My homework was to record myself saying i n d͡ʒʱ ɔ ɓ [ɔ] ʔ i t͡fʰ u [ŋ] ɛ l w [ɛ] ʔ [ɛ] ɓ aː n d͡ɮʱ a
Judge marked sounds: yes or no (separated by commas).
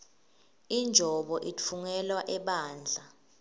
yes, yes, no, yes